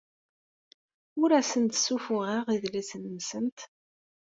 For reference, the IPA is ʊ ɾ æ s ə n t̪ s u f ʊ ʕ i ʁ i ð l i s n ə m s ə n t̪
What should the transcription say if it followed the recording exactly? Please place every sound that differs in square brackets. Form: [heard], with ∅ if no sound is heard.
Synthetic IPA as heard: ʊ ɾ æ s ə n t̪ s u f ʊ [ʁ] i ʁ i ð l i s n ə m s ə n t̪